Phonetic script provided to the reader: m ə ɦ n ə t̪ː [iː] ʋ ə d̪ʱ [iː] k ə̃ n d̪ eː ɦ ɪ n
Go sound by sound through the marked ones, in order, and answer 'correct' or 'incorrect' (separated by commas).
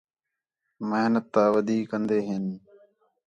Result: incorrect, correct